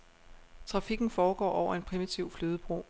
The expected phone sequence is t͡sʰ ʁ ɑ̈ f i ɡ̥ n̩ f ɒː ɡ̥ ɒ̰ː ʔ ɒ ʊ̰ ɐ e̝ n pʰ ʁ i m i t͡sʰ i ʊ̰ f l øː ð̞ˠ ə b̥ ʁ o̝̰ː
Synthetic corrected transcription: t͡sʰ ʁ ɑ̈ f i ɡ̥ n̩ f ɒː ɡ̥ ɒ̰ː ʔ ɒ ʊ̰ ɐ e̝ n pʰ ʁ i m i t͡sʰ i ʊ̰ f l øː ð̞ˠ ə b̥ ʁ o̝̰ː